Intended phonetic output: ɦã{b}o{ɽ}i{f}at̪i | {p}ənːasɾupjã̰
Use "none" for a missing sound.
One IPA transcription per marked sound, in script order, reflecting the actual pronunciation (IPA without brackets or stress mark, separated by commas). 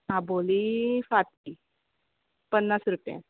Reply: b, l, f, p